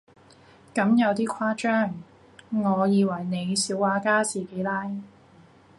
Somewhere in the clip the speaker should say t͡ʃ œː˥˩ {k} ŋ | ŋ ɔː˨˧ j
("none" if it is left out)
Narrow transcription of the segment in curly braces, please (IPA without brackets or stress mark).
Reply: none